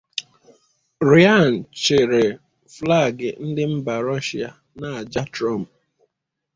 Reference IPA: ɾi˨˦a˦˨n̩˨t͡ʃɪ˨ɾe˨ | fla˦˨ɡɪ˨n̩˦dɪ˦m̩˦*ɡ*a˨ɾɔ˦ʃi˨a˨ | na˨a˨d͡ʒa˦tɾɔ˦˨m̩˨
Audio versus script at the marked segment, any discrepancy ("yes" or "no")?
yes